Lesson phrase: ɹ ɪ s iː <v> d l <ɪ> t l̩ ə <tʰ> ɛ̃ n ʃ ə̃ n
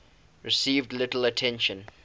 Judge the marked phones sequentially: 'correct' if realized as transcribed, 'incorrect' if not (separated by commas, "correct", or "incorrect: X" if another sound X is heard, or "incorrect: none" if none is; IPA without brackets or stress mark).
correct, correct, correct